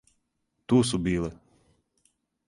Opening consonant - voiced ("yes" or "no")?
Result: no